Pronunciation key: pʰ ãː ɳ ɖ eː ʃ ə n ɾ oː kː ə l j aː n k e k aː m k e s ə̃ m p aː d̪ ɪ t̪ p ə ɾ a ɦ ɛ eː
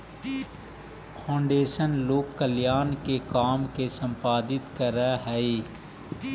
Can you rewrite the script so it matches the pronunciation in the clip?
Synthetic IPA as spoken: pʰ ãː ɳ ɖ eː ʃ ə n l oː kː ə l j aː n k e k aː m k e s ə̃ m p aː d̪ ɪ t̪ k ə ɾ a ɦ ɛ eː